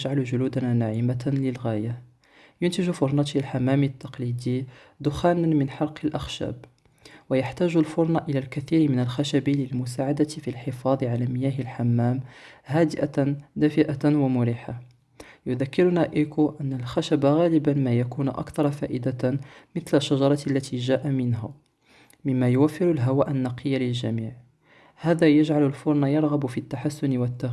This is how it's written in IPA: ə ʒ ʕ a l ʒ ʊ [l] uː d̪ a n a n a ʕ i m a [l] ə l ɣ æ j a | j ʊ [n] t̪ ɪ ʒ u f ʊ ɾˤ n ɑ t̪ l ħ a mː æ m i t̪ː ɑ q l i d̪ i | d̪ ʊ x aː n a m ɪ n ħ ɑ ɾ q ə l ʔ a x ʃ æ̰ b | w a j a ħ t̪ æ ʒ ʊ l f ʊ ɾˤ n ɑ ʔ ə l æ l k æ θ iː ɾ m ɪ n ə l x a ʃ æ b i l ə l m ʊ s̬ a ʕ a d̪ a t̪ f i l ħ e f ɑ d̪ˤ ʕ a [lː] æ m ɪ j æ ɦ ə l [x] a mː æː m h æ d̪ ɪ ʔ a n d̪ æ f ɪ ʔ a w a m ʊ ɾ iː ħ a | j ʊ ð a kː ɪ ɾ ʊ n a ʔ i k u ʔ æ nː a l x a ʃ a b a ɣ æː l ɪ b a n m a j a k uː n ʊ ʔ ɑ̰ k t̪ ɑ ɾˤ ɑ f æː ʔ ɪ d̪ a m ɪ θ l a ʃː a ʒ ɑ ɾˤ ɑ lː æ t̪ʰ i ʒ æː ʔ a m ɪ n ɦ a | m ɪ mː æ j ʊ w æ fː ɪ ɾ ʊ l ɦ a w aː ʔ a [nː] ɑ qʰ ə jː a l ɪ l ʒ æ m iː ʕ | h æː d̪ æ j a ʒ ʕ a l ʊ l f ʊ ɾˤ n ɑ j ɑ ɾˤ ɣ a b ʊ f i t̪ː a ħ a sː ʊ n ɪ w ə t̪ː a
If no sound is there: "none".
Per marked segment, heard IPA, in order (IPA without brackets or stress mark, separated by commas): l, l, n, l, ħ, nː